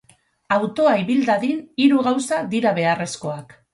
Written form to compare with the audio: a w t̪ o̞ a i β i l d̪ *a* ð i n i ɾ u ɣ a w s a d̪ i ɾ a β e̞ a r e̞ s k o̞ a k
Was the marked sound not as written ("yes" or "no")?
no